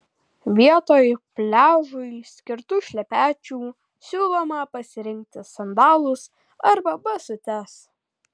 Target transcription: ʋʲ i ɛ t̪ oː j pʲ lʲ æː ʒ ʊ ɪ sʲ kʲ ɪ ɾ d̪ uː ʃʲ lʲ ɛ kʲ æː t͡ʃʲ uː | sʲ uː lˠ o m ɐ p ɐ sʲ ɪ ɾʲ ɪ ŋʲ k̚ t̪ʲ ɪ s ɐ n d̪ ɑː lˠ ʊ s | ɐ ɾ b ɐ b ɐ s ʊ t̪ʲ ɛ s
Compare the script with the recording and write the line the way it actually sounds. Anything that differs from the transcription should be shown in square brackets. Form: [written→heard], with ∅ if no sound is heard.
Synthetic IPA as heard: ʋʲ i ɛ t̪ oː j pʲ lʲ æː ʒ ʊ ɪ sʲ kʲ ɪ ɾ [d̪→t̪] uː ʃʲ lʲ ɛ [kʲ→pʲ] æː t͡ʃʲ uː | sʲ uː lˠ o m ɐ p ɐ sʲ ɪ ɾʲ ɪ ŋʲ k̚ t̪ʲ ɪ s ɐ n d̪ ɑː lˠ ʊ s | ɐ ɾ b ɐ b ɐ s ʊ t̪ʲ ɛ s